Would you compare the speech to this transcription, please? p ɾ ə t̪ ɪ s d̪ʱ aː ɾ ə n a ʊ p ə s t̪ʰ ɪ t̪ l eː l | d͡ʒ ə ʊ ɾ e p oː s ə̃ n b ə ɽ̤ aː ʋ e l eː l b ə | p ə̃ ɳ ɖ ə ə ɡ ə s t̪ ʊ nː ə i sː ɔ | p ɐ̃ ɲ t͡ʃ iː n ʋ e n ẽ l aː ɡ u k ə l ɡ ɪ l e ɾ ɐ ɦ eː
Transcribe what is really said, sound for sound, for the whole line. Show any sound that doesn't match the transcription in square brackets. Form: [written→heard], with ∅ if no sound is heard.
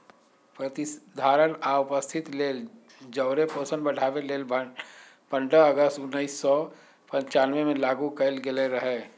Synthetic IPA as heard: p ɾ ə t̪ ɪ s d̪ʱ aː ɾ ə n a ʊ p ə s t̪ʰ ɪ t̪ l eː l | d͡ʒ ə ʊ ɾ e p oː s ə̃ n b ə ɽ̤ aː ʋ e l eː l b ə | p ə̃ ɳ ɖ ə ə ɡ ə s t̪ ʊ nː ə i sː ɔ | p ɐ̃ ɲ t͡ʃ [iː→aː] n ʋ e [n→m] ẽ l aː ɡ u k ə l ɡ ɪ l e ɾ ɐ ɦ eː

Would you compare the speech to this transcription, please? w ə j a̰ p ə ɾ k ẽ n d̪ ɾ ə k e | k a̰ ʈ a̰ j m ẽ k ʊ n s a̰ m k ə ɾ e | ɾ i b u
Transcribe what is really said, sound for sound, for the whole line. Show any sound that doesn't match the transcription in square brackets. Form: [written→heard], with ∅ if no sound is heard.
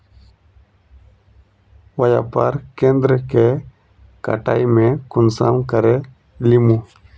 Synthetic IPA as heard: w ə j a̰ p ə ɾ k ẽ n d̪ ɾ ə k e | k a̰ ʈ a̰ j m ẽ k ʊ n s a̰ m k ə ɾ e | [ɾ→l] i [b→m] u

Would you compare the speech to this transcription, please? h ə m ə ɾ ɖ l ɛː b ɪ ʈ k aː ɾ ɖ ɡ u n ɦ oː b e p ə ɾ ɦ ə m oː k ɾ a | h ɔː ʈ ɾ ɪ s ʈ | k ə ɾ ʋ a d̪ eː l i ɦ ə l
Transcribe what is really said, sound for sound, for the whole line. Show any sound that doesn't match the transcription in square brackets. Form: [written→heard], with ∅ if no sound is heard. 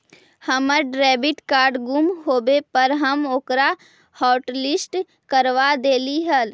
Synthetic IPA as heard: h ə m ə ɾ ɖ [l→ɾ] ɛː b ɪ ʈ k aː ɾ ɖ ɡ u [n→m] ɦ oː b e p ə ɾ ɦ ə m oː k ɾ a | h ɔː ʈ [ɾ→l] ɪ s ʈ | k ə ɾ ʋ a d̪ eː l i ɦ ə l

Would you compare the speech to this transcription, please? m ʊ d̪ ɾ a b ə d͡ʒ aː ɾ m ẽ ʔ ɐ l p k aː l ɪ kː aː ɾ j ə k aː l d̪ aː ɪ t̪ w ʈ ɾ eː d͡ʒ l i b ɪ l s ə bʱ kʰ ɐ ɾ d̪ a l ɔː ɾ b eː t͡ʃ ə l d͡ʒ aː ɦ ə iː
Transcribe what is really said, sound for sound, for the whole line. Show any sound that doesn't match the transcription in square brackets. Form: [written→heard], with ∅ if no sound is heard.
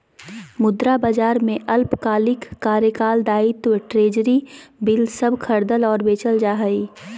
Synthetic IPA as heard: m ʊ d̪ ɾ a b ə d͡ʒ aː ɾ m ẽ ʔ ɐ l p k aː l ɪ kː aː ɾ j ə k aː l d̪ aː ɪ t̪ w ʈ ɾ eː d͡ʒ [l→ɾ] i b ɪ l s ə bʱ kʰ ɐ ɾ d̪ [a→ə] l ɔː ɾ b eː t͡ʃ ə l d͡ʒ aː ɦ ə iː

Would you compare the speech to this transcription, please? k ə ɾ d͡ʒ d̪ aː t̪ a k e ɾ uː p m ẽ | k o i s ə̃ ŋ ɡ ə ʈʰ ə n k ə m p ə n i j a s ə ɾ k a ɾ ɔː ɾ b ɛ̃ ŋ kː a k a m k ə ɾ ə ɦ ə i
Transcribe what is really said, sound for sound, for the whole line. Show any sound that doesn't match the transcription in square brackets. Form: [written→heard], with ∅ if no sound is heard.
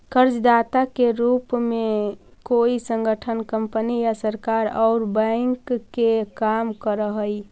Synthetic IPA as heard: k ə ɾ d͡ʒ d̪ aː t̪ a k e ɾ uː p m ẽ | k o i s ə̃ ŋ ɡ ə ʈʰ ə n k ə m p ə n i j a s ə ɾ k a ɾ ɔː ɾ b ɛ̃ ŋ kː [a→e] k a m k ə ɾ ə ɦ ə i

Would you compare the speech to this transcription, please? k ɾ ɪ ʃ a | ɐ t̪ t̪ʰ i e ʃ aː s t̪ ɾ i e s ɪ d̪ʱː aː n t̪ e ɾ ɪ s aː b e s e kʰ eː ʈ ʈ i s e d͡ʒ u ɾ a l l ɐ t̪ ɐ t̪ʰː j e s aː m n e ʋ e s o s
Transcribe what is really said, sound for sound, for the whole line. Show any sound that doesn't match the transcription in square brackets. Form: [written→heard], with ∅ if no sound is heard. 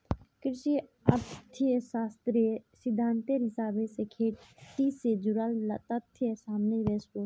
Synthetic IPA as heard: k ɾ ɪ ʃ [a→i] | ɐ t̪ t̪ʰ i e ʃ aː s t̪ ɾ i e s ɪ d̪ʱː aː n t̪ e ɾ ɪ s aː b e s e kʰ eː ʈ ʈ i s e d͡ʒ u ɾ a l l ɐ t̪ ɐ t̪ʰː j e s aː m n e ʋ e s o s

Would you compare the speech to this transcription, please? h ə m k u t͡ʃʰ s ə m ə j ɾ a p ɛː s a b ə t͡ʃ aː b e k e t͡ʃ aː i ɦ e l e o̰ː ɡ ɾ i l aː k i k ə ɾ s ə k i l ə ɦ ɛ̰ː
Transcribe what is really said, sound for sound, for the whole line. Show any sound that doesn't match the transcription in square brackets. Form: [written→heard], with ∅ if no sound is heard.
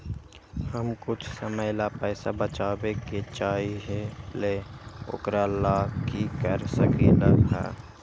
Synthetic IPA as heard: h ə m k [u→ʊ] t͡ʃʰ s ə m ə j [ɾ→l] a p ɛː s a b ə t͡ʃ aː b e k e t͡ʃ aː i ɦ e l e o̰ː [ɡ→k] ɾ [i→a] l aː k i k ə ɾ s ə k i l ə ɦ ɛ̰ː

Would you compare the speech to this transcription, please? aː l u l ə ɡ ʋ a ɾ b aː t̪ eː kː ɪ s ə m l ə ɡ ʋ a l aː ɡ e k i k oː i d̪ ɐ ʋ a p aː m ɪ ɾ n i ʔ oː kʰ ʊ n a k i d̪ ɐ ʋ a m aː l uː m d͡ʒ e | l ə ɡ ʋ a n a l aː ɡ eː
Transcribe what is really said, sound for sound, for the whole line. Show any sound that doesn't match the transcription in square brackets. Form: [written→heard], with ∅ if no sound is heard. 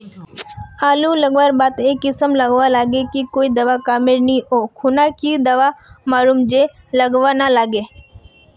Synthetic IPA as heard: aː l u l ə ɡ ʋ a ɾ b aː t̪ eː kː ɪ s ə m l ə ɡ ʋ a l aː ɡ e k i k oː i d̪ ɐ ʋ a [p→k] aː m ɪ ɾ n i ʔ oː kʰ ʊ n a k i d̪ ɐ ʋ a m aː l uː m d͡ʒ e | l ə ɡ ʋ a n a l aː ɡ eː

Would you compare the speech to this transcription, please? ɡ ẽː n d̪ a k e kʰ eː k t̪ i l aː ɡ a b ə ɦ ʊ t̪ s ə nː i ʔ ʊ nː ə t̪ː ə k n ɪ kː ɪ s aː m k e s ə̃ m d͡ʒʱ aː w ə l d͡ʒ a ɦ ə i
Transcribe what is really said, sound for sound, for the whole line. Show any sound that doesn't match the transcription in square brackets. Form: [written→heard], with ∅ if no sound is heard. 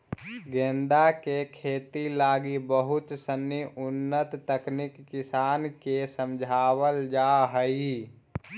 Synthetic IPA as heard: ɡ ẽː n d̪ a k e kʰ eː [k→∅] t̪ i l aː ɡ [a→i] b ə ɦ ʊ t̪ s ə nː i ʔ ʊ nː ə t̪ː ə k n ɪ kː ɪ s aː [m→n] k e s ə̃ m d͡ʒʱ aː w ə l d͡ʒ a ɦ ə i

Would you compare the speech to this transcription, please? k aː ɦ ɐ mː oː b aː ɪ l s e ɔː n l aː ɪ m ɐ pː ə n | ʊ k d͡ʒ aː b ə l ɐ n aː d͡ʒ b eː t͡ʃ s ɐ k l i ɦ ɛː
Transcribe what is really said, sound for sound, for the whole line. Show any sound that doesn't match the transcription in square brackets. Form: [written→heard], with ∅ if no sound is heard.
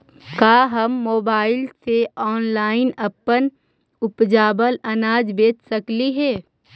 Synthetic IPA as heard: k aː ɦ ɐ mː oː b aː ɪ l s e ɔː n l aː ɪ [m→n] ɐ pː ə n | ʊ [k→p] d͡ʒ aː b ə l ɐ n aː d͡ʒ b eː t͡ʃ s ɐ k l i ɦ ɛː

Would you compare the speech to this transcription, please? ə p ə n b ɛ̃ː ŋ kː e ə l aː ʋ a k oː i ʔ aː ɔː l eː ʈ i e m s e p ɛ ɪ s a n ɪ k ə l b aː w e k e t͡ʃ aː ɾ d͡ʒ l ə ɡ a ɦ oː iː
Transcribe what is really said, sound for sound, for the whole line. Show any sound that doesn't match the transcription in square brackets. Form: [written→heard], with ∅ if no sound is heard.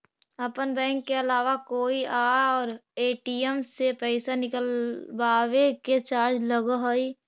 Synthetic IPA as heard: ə p ə n b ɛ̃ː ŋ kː e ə l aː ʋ a k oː i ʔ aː ɔː [l→ɾ] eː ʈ i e m s e p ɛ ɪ s a n ɪ k ə l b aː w e k e t͡ʃ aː ɾ d͡ʒ l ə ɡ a ɦ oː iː

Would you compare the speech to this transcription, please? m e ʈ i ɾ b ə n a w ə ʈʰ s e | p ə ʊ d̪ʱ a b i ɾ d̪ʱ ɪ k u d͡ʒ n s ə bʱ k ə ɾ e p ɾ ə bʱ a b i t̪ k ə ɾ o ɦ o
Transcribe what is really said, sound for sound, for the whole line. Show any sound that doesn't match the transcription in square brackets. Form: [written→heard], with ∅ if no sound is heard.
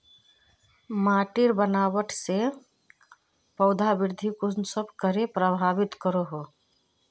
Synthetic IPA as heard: m [e→a] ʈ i ɾ b ə n a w ə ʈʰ s e | p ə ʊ d̪ʱ a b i ɾ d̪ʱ [ɪ→i] k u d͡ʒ n s ə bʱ k ə ɾ e p ɾ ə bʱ a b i t̪ k ə ɾ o ɦ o

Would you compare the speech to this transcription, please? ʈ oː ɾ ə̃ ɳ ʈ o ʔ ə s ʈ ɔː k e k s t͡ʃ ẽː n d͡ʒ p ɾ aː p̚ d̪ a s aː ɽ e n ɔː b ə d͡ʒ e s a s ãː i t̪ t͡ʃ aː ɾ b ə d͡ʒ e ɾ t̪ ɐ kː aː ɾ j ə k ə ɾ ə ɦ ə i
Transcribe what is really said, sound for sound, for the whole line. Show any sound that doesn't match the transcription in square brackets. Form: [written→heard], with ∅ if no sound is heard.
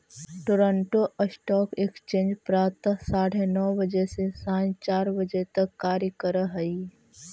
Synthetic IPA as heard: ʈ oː ɾ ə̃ ɳ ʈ o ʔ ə s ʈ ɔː k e k s t͡ʃ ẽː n d͡ʒ p ɾ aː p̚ [d̪→t̪] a s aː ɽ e n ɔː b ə d͡ʒ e s [a→e] s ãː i [t̪→∅] t͡ʃ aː ɾ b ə d͡ʒ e [ɾ→∅] t̪ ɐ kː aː ɾ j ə k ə ɾ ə ɦ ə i

